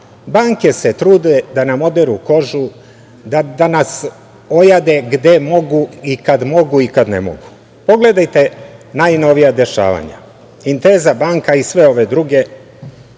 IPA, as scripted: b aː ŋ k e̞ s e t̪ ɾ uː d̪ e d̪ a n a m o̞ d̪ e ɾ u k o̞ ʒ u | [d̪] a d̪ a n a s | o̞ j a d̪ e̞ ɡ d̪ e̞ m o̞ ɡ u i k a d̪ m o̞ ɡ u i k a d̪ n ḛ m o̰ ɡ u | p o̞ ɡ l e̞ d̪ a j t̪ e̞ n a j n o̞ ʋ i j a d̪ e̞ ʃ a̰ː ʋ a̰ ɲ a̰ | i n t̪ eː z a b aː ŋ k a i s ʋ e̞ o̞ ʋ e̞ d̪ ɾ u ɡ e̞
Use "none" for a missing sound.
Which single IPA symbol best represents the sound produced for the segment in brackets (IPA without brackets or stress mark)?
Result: d̪